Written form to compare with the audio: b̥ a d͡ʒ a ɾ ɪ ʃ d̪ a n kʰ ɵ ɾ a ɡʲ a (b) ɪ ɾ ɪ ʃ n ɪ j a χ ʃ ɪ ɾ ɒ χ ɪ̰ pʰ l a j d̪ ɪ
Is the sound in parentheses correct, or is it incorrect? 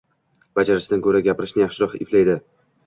incorrect